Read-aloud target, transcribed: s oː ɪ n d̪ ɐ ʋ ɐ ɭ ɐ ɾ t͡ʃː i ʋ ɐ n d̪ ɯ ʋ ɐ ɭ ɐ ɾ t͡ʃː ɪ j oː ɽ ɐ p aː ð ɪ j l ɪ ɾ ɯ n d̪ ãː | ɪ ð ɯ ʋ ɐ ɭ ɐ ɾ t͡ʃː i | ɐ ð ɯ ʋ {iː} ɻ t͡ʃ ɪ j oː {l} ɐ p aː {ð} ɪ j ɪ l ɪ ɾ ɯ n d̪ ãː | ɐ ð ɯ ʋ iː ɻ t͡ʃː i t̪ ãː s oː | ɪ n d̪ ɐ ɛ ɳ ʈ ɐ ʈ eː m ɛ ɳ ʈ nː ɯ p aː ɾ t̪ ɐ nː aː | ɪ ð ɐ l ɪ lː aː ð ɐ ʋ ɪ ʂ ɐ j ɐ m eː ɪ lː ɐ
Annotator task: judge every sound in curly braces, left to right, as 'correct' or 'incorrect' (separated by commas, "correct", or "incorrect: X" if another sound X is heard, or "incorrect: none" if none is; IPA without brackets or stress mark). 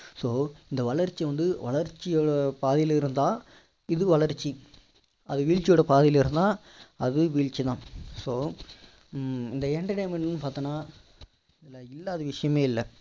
correct, incorrect: ɽ, correct